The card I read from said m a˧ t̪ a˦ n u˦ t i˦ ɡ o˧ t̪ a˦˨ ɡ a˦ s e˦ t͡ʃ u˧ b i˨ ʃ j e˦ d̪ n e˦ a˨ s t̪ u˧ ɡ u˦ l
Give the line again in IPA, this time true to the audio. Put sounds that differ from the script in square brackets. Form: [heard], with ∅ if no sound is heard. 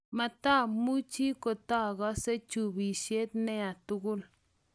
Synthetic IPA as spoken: m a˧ t̪ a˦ [m] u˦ [t͡ʃ] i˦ [k] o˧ t̪ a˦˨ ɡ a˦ s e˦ t͡ʃ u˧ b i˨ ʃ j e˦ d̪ n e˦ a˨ [∅] t̪ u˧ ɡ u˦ l